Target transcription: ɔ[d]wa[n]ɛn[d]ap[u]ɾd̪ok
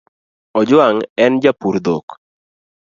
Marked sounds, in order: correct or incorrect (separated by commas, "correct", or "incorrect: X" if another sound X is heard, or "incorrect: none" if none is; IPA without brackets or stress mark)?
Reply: incorrect: d͡ʒ, incorrect: ŋ, incorrect: d͡ʒ, correct